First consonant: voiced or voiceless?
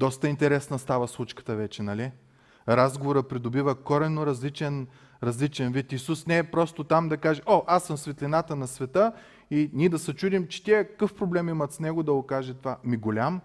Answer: voiced